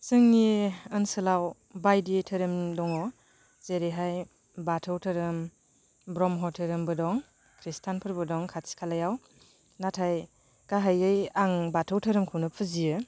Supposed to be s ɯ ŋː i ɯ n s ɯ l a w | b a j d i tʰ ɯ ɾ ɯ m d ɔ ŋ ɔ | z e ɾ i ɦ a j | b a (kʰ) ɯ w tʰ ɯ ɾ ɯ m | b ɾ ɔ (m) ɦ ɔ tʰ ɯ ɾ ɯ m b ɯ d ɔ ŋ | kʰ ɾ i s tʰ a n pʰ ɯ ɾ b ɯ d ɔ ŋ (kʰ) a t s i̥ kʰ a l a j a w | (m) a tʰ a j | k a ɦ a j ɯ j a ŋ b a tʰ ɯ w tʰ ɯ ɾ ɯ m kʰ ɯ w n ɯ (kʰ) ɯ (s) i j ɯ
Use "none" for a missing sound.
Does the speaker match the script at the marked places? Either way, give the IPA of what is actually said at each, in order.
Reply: tʰ, m, kʰ, n, pʰ, z

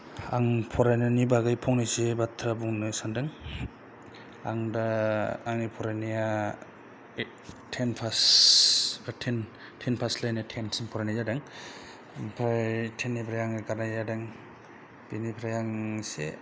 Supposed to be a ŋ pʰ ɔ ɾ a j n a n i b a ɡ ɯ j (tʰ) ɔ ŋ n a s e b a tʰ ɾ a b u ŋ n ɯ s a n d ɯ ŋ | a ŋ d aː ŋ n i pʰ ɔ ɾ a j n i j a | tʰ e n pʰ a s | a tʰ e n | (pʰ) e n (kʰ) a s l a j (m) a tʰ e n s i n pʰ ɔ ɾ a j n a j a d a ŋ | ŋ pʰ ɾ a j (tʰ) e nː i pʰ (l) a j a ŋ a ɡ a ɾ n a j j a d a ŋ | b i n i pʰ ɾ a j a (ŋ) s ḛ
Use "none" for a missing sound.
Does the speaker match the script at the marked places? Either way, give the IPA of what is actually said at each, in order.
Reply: pʰ, tʰ, pʰ, n, tʰ, ɾ, ŋ

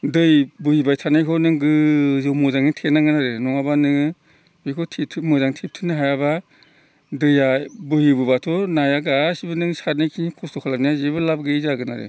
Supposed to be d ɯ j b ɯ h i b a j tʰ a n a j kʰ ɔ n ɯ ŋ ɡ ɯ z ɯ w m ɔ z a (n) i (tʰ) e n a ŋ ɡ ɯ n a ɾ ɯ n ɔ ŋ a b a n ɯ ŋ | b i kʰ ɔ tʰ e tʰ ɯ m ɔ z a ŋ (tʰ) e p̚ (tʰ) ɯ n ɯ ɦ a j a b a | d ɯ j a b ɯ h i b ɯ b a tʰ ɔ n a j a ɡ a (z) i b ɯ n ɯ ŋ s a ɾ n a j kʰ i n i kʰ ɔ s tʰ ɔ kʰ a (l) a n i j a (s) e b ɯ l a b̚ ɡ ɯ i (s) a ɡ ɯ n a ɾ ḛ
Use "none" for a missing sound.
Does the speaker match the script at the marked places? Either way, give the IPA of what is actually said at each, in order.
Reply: ŋ, tʰ, tʰ, tʰ, s, l, z, z

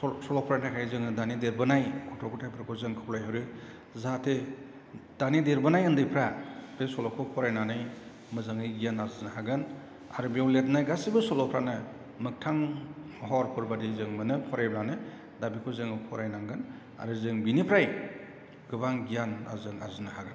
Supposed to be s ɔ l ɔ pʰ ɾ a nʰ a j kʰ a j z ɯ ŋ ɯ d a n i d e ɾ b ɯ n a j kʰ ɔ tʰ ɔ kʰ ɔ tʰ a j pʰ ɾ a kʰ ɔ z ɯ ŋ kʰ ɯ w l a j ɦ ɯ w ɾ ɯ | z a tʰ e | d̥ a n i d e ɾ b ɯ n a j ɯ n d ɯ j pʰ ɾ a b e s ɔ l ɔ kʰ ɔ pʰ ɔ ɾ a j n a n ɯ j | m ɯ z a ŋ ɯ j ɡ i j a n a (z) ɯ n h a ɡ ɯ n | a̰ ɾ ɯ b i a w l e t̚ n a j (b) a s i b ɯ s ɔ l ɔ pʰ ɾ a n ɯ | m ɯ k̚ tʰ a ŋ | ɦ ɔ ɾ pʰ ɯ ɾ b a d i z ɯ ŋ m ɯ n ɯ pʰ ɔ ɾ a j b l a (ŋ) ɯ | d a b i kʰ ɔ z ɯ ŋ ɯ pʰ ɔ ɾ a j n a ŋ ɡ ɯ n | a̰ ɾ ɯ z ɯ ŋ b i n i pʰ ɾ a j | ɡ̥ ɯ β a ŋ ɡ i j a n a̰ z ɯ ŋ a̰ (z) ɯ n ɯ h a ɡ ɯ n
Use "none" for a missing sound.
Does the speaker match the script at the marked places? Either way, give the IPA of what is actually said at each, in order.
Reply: z, ɡ, n, z

